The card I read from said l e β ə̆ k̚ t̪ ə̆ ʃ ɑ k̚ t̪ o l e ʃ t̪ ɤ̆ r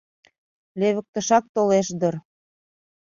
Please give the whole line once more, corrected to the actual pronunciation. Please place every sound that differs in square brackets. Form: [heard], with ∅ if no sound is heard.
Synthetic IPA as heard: l e β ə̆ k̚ t̪ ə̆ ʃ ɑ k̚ t̪ o l e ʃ [d̪] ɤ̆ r